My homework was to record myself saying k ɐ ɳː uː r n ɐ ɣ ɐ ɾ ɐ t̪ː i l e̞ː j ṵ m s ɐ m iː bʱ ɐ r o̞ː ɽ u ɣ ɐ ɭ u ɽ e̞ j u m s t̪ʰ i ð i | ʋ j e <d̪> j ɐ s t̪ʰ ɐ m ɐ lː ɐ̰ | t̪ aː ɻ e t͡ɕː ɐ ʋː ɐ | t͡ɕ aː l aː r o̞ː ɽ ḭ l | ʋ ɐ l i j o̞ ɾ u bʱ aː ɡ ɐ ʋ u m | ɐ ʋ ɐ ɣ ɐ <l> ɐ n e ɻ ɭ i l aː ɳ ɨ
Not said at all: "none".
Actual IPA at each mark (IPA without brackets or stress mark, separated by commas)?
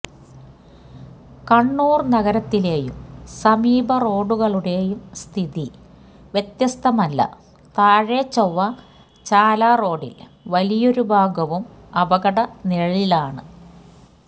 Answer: t̪, ɽ